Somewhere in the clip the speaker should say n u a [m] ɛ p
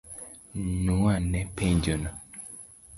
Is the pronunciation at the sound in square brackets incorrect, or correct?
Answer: incorrect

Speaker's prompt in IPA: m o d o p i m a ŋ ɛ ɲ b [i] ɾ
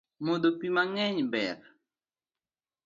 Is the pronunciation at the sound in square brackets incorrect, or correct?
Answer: incorrect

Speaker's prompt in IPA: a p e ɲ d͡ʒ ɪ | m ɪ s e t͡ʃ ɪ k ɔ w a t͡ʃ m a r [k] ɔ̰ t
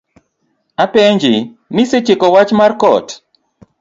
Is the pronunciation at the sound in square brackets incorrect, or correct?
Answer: correct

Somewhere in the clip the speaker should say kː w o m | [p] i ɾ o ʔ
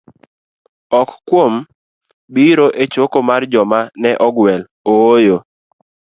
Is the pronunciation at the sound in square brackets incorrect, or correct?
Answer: incorrect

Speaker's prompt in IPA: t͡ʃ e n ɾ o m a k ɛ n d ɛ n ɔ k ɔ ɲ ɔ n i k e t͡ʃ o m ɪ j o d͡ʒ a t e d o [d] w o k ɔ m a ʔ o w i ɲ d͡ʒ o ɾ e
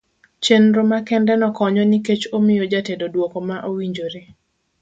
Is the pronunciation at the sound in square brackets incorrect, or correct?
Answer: correct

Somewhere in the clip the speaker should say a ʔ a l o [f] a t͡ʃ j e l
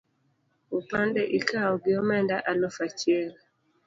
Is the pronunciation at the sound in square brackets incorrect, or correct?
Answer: correct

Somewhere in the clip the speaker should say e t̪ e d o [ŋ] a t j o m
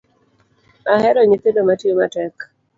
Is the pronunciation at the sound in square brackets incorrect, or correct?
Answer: incorrect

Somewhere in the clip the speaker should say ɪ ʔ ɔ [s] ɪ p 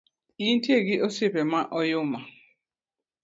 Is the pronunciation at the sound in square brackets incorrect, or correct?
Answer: correct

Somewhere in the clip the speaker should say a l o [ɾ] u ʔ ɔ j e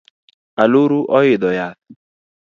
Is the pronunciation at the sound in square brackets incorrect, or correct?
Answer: correct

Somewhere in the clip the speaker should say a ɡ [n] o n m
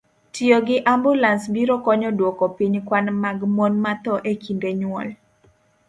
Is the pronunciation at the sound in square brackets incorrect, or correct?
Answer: incorrect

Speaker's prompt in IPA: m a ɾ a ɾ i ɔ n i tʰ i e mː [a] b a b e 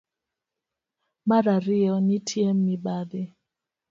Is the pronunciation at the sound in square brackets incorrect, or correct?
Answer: incorrect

